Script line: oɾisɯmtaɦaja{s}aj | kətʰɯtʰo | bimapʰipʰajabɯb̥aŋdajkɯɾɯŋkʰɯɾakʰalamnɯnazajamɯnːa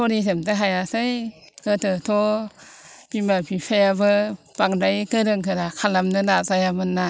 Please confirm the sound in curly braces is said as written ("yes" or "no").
yes